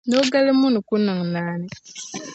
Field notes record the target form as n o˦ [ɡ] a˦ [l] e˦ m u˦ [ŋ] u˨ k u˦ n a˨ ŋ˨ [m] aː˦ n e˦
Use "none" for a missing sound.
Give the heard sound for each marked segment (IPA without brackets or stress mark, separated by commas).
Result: ɡ, l, n, n